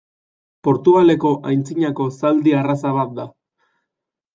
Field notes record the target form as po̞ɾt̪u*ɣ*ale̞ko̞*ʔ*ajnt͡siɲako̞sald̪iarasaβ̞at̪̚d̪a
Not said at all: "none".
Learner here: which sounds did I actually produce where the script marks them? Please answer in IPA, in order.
ɣ, ʔ

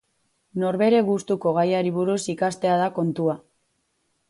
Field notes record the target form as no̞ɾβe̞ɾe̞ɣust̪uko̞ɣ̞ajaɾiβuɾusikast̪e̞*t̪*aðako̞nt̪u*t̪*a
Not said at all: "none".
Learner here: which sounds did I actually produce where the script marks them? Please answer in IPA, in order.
none, none

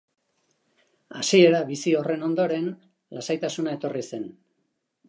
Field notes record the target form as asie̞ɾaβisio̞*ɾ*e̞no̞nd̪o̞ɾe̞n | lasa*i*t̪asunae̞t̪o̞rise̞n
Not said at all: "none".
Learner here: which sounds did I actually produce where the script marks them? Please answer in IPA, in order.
r, j

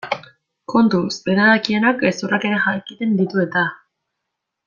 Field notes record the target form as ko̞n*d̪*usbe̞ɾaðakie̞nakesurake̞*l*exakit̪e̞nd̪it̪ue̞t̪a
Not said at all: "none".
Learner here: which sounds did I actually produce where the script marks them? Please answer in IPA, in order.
t̪, ɾ

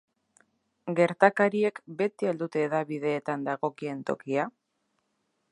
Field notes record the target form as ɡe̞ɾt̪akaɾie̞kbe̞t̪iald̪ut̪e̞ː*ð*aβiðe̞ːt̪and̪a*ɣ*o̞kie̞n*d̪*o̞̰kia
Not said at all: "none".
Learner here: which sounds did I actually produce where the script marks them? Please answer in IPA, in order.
ð, ɣ, t̪

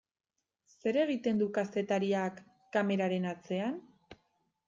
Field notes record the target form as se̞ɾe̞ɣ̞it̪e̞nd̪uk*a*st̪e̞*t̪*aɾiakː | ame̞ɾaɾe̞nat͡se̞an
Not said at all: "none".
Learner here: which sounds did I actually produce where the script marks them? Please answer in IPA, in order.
a, t̪

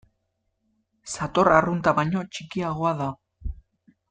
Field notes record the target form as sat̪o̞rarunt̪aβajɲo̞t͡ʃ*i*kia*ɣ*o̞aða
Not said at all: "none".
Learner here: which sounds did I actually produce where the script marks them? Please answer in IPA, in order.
i, ɣ

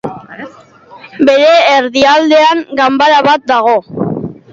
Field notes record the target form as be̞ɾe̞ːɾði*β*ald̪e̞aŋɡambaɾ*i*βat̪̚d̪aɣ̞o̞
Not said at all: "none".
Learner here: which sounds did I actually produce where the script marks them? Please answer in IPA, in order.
none, a

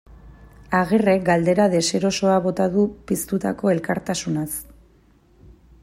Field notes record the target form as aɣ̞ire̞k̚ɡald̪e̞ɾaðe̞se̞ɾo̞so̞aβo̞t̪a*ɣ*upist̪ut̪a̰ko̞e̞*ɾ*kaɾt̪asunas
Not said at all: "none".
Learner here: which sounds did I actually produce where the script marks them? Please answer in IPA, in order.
ð, l

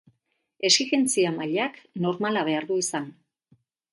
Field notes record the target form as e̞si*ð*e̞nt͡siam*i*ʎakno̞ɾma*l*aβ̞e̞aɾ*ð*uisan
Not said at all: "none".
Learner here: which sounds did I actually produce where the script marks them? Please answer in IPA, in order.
ɣ, a, l, ð

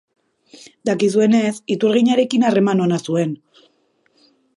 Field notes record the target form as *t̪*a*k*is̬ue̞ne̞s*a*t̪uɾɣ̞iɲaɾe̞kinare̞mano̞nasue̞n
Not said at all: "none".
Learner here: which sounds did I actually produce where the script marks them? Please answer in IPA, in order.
d̪, k, i

